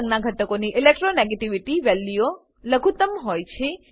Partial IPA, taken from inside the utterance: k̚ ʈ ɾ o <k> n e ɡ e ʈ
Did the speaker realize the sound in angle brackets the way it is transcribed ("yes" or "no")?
no